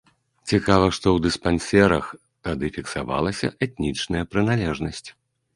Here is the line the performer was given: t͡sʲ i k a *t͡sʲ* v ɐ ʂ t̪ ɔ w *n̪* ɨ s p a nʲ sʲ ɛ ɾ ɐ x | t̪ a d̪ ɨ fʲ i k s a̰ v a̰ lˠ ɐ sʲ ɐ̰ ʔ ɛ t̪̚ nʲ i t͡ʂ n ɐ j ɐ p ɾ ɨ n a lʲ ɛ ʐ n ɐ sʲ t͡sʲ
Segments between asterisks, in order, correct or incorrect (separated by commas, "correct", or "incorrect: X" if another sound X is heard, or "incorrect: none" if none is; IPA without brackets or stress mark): incorrect: none, incorrect: d̪